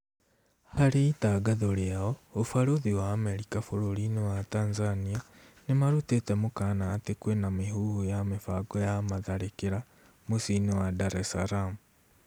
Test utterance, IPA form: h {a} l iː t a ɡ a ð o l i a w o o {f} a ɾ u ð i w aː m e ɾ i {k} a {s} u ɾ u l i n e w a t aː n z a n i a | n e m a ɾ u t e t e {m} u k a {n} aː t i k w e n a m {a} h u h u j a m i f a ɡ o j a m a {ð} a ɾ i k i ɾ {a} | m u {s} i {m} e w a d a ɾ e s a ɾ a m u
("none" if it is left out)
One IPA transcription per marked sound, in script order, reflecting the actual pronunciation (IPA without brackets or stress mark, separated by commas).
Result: a, f, k, f, m, n, i, ð, a, s, n